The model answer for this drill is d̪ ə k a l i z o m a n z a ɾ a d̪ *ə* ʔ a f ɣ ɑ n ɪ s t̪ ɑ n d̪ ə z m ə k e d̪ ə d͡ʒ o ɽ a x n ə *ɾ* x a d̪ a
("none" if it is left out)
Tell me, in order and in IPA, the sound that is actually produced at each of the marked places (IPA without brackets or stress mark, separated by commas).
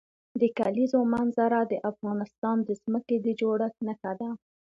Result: ə, none